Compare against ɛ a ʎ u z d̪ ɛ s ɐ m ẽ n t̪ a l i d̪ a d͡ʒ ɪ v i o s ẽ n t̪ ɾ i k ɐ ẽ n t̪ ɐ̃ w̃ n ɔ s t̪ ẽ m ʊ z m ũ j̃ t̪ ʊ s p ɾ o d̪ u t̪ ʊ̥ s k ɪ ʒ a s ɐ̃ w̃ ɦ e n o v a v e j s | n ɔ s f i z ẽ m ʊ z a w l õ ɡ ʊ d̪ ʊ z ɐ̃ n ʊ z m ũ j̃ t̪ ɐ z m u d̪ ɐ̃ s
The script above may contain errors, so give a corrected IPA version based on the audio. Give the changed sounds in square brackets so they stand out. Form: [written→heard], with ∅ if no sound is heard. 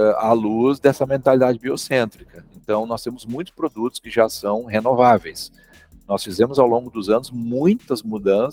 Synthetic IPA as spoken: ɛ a [ʎ→l] u z d̪ ɛ s ɐ m ẽ n t̪ a l i d̪ a d͡ʒ ɪ [v→b] i o s ẽ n t̪ ɾ i k ɐ ẽ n t̪ ɐ̃ w̃ n ɔ s t̪ ẽ m ʊ z m ũ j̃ t̪ ʊ s p ɾ o d̪ u t̪ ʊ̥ s k ɪ ʒ a s ɐ̃ w̃ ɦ e n o v a v e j s | n ɔ s f i z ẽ m ʊ z a w l õ ɡ ʊ d̪ ʊ z ɐ̃ n ʊ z m ũ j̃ t̪ ɐ z m u d̪ ɐ̃ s